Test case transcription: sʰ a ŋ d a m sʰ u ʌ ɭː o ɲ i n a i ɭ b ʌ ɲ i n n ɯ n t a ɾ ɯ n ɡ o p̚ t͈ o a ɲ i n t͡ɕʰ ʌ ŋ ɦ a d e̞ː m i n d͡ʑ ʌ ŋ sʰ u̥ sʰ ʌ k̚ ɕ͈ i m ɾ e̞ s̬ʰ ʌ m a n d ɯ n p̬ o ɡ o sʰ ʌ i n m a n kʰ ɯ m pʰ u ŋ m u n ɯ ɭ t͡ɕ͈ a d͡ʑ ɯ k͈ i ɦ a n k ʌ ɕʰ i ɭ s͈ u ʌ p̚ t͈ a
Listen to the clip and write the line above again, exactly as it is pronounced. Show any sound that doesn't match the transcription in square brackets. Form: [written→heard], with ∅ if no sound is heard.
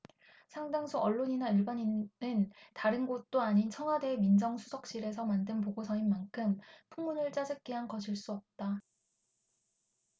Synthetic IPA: sʰ a ŋ d a [m→ŋ] sʰ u ʌ ɭː o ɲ i n a i ɭ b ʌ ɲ i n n ɯ n t a ɾ ɯ n ɡ o [p̚→t̚] t͈ o a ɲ i n t͡ɕʰ ʌ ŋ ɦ a d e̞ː m i n d͡ʑ ʌ ŋ sʰ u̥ sʰ ʌ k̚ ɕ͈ i [m→∅] ɾ e̞ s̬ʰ ʌ m a n d ɯ n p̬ o ɡ o sʰ ʌ i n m a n kʰ ɯ m pʰ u ŋ m u n ɯ ɭ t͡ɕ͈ a d͡ʑ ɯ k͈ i ɦ a n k ʌ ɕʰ i ɭ s͈ u ʌ p̚ t͈ a